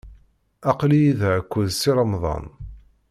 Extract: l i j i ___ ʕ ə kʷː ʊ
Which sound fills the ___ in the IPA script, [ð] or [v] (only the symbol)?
ð